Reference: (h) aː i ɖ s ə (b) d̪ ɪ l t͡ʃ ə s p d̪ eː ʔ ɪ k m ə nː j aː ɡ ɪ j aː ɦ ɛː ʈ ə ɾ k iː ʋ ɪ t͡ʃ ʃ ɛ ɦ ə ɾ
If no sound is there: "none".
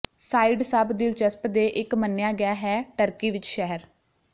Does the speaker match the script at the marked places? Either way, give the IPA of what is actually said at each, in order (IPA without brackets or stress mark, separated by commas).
s, b